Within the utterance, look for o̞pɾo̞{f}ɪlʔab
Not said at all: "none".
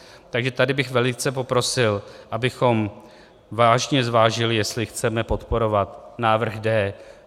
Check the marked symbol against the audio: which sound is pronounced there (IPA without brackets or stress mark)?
s